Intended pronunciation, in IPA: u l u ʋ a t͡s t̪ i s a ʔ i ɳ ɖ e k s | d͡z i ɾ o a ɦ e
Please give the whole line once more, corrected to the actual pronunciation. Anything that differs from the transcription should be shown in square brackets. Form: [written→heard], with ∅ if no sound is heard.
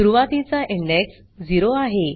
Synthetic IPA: u [l→ɾ] u ʋ a [t͡s→∅] t̪ i [s→t͡s] a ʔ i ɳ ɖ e k s | d͡z i ɾ o a ɦ e